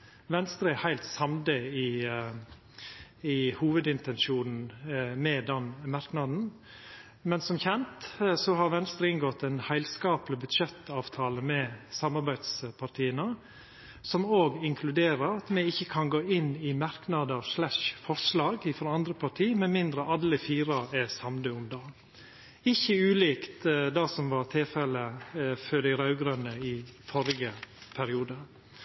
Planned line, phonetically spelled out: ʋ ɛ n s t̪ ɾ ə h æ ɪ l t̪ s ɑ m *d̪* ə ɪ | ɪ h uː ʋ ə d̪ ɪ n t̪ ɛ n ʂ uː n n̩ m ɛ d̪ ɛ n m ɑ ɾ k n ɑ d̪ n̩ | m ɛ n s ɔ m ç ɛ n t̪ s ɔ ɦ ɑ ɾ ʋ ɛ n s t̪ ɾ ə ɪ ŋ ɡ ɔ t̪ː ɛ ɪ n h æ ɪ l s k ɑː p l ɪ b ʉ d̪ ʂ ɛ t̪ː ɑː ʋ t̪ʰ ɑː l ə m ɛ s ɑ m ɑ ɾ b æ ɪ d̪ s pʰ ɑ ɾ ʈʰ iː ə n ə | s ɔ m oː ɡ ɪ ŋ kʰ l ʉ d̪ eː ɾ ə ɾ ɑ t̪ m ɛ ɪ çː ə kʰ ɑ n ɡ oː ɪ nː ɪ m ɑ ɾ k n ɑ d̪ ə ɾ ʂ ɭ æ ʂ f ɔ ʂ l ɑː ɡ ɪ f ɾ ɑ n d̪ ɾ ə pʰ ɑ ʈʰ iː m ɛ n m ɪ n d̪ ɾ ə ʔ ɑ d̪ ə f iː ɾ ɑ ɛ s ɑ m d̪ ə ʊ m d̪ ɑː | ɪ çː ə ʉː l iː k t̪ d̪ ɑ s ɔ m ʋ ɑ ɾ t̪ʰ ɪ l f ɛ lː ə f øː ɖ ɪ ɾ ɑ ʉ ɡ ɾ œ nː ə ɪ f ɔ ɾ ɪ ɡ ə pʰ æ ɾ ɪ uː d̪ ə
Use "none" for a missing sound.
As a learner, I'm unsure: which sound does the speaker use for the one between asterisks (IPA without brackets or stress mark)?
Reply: d̪